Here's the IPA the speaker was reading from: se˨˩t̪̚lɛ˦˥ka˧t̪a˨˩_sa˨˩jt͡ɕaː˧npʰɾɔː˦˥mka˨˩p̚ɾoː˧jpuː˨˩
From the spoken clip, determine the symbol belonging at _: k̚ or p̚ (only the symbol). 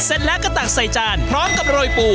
k̚